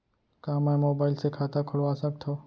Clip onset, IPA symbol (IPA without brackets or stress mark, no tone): k